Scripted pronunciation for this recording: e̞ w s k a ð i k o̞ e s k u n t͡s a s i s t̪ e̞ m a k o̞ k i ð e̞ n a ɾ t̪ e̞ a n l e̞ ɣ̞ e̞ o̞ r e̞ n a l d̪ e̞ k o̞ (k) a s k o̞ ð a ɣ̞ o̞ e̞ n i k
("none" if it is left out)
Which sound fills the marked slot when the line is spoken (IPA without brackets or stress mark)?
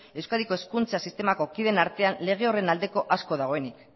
ʔ